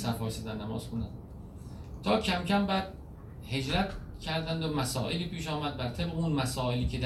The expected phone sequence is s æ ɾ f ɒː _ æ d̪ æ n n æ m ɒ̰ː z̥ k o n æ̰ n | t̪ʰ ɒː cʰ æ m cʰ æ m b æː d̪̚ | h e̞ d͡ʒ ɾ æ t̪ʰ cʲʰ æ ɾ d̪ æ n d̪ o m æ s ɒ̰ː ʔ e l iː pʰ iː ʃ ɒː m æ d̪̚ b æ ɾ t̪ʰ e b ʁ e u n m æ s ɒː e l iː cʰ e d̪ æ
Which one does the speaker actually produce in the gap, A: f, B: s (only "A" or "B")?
B